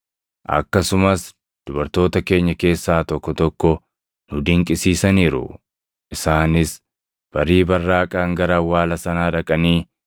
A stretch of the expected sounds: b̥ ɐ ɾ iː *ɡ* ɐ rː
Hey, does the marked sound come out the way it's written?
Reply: no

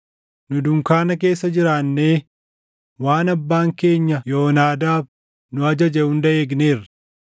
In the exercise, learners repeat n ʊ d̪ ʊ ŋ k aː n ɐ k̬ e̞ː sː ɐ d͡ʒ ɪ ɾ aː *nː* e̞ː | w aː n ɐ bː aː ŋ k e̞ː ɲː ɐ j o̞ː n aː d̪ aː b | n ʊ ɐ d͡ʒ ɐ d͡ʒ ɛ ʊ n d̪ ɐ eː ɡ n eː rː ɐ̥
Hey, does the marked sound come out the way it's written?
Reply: yes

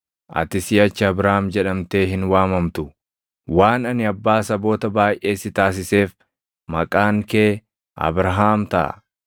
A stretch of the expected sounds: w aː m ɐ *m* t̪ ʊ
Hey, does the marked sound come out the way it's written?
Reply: yes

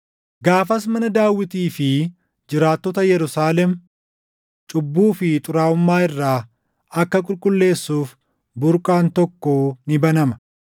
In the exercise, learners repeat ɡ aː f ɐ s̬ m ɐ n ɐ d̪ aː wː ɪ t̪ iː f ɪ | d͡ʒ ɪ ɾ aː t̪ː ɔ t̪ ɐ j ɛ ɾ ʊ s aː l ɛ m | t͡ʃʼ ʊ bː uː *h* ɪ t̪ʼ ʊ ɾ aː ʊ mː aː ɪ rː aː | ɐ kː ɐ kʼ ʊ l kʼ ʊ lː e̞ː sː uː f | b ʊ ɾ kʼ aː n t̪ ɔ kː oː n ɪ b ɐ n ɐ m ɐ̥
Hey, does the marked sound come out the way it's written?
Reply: no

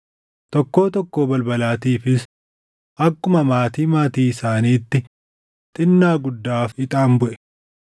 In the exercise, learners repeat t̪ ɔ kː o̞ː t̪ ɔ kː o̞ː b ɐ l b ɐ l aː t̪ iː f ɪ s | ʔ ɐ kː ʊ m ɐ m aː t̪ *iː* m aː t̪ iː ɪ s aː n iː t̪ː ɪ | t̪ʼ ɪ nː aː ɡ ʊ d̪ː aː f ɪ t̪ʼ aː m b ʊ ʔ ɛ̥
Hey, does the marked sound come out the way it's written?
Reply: yes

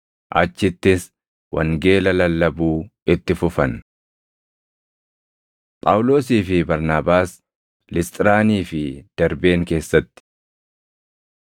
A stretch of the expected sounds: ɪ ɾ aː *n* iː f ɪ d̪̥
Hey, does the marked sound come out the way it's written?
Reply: yes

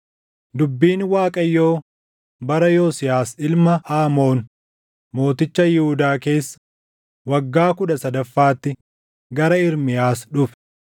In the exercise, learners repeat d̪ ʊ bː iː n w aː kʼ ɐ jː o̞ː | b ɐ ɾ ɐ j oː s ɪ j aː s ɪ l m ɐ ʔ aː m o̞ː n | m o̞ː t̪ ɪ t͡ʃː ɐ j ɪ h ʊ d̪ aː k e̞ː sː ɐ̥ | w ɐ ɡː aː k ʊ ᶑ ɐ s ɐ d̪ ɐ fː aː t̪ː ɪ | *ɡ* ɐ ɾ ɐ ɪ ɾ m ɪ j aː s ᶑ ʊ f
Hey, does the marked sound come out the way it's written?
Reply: yes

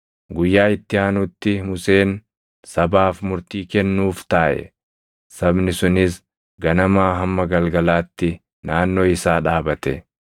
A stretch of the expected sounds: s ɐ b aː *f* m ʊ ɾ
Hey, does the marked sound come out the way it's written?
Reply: yes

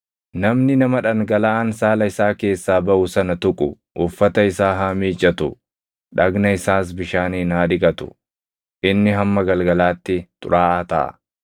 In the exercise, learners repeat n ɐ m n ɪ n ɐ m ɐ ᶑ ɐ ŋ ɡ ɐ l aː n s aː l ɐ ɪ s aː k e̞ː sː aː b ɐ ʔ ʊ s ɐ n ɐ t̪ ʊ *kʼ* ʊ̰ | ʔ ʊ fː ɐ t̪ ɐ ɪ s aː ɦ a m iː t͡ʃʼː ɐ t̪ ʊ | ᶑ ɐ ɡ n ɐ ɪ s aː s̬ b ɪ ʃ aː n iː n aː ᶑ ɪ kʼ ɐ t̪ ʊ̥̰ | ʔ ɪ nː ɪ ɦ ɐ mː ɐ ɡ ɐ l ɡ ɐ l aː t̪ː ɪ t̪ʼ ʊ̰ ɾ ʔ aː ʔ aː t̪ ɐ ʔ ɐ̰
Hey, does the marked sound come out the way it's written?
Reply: yes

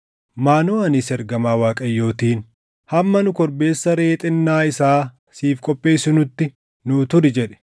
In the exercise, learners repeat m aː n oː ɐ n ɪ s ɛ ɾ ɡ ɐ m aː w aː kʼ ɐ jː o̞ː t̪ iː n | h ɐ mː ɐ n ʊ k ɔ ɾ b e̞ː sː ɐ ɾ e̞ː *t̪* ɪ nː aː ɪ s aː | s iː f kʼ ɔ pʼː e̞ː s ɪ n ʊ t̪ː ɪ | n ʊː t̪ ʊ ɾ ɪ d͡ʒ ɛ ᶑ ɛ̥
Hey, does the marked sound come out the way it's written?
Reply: no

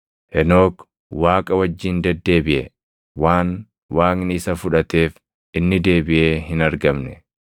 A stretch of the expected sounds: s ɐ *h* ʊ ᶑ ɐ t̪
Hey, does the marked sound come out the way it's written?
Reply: no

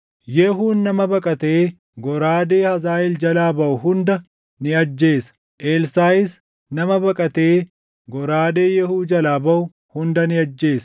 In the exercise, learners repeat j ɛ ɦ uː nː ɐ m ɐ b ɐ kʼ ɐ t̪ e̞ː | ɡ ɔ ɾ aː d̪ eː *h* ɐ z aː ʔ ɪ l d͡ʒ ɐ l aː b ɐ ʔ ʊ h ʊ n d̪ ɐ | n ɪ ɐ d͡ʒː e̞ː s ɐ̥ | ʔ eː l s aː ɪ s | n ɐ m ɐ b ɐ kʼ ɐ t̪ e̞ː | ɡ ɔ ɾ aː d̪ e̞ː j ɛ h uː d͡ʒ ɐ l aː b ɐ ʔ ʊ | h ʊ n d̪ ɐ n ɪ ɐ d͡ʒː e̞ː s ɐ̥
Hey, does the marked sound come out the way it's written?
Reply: yes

